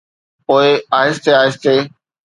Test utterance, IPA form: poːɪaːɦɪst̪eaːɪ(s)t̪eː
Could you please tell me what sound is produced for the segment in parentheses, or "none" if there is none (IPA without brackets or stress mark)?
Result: s